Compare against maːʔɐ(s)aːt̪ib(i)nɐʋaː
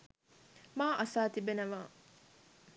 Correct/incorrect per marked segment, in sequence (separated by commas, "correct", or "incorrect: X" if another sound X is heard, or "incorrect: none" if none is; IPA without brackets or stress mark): correct, incorrect: e